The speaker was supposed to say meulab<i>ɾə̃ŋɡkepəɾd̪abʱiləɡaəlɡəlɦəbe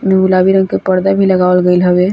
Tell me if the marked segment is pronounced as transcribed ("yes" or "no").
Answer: yes